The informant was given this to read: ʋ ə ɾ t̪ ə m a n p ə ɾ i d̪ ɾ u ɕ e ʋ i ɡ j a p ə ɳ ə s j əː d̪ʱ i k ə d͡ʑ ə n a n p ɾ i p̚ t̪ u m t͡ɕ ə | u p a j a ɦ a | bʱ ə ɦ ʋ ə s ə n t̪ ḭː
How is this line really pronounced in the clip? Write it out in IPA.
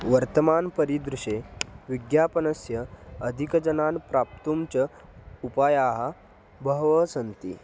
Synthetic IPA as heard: ʋ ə ɾ t̪ ə m a n p ə ɾ i d̪ ɾ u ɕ e ʋ i ɡ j a p ə n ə s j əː d̪ʱ i k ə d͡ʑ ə n a n p ɾ a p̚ t̪ u m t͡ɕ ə | u p a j a ɦ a | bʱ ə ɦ ʋ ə s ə n t̪ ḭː